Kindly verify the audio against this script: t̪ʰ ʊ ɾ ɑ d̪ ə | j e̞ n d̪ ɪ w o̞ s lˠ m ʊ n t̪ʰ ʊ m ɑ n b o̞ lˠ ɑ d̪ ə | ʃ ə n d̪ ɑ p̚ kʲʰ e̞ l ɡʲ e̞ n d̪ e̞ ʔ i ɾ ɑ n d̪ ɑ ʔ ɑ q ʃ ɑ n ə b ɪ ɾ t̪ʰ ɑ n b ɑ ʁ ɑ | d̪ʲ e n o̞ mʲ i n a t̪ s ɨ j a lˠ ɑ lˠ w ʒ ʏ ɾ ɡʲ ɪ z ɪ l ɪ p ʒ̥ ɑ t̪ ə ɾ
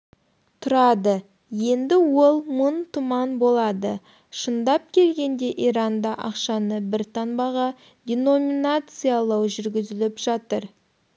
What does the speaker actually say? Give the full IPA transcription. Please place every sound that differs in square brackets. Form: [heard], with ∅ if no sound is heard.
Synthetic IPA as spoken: t̪ʰ ʊ ɾ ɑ d̪ ə | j e̞ n d̪ ɪ w o̞ [∅] lˠ m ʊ n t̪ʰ ʊ m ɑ n b o̞ lˠ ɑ d̪ ə | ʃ ə n d̪ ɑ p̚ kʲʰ e̞ l ɡʲ e̞ n d̪ e̞ ʔ i ɾ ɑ n d̪ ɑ ʔ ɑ q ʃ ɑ n ə b ɪ ɾ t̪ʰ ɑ n b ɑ ʁ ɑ | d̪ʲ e n o̞ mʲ i n a t̪ s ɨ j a lˠ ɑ [∅] w ʒ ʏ ɾ ɡʲ ɪ z ɪ l ɪ p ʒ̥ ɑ t̪ ə ɾ